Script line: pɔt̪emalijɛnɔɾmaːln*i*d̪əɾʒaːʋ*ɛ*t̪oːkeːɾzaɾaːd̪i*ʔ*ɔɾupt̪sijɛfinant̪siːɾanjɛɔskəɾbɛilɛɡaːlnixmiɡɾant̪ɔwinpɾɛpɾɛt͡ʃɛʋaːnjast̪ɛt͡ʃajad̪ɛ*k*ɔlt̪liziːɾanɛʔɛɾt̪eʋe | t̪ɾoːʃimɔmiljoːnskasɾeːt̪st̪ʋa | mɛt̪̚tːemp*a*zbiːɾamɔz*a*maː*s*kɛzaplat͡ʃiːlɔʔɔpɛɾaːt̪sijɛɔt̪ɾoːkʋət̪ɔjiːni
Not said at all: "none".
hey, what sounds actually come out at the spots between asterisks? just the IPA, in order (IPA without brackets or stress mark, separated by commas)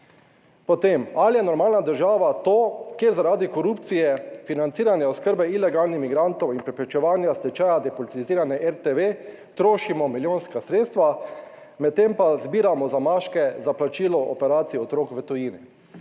a, a, k, p, a, a, ʃ